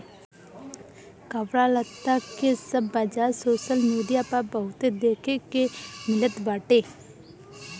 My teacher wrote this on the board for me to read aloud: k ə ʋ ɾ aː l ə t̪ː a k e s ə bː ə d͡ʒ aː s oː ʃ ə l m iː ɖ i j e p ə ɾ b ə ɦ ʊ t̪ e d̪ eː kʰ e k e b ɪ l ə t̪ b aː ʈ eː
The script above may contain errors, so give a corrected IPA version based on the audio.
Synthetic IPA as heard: k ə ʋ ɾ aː l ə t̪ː a k e s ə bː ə d͡ʒ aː s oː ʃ ə l m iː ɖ i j a p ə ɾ b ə ɦ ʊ t̪ e d̪ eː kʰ e k e m ɪ l ə t̪ b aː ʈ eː